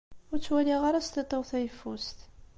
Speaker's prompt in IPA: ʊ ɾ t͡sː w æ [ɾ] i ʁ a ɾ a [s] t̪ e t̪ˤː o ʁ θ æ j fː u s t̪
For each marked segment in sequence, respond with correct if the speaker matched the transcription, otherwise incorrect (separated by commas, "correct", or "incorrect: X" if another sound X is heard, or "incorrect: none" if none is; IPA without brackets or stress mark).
incorrect: l, correct